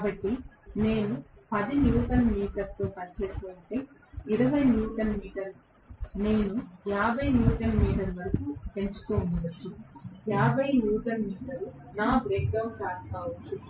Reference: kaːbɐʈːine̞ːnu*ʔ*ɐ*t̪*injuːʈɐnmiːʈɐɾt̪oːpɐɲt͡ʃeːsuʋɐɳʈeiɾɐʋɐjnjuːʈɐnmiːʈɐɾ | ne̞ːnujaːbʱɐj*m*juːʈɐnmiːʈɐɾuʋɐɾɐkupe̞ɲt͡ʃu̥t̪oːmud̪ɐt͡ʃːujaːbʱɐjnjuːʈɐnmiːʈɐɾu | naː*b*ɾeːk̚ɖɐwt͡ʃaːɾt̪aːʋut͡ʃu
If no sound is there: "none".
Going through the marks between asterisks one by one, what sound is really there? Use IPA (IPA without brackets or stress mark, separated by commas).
p, d̪, n, b